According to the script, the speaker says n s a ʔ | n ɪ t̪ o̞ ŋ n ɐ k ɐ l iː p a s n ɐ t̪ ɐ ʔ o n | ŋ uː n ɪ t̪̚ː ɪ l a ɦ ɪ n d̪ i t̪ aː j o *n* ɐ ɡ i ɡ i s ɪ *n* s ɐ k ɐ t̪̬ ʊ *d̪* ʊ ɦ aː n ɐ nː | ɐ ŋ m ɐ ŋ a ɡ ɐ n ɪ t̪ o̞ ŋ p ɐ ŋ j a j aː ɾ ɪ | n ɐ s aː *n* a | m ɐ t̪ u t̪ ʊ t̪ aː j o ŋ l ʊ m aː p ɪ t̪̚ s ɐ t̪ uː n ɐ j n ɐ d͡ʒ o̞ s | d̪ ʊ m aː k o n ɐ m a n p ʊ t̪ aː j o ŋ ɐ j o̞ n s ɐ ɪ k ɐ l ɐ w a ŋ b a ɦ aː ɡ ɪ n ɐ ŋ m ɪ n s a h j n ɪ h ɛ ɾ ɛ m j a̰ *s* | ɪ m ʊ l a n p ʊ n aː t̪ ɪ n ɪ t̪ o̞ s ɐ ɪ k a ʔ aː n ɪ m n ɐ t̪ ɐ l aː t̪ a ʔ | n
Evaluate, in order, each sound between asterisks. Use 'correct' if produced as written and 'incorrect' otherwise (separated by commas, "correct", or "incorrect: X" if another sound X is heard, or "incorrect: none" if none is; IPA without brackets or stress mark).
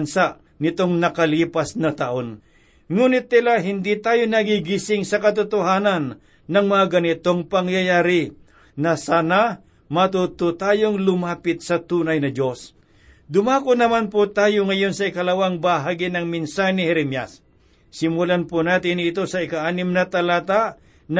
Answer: correct, incorrect: ŋ, incorrect: t̪, correct, incorrect: sː